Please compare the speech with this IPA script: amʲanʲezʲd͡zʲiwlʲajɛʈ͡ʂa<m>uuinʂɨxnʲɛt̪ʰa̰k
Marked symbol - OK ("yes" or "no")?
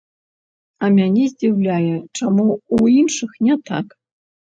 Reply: yes